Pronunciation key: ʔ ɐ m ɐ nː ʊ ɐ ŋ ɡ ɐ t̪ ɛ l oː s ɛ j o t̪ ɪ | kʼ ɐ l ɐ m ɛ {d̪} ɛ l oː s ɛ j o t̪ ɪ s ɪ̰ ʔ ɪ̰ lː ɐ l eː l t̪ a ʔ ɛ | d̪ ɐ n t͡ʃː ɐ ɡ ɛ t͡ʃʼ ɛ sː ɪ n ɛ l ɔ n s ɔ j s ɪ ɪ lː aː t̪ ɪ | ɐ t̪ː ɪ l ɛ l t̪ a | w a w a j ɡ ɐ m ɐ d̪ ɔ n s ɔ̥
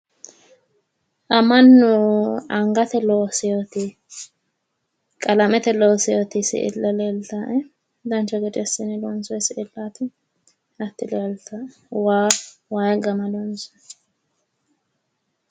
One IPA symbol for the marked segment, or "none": t̪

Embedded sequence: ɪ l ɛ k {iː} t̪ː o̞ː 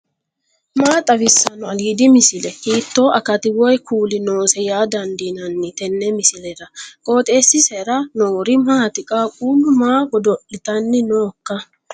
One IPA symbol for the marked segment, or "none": iː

